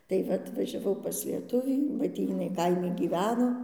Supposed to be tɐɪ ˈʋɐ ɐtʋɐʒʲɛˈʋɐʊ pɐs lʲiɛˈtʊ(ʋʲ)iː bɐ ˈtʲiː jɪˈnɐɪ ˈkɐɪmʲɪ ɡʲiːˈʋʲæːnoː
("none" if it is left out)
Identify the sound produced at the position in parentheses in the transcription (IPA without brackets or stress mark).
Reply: ʋʲ